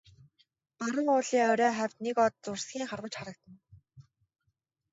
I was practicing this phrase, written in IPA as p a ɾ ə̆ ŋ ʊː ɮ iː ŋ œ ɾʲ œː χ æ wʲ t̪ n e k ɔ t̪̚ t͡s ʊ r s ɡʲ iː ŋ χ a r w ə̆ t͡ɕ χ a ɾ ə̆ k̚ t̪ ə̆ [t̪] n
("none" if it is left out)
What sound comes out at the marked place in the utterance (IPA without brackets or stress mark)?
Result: none